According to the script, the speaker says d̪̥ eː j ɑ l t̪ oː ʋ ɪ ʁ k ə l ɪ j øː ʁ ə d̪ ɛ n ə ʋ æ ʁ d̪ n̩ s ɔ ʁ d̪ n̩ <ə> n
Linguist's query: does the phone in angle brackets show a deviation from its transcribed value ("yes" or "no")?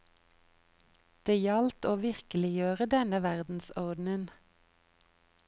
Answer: no